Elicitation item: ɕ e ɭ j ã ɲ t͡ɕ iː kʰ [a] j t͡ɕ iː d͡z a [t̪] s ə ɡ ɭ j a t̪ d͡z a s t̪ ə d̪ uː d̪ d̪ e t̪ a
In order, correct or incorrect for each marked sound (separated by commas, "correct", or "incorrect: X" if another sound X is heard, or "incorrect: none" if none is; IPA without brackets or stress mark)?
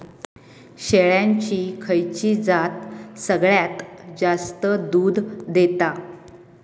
incorrect: ə, correct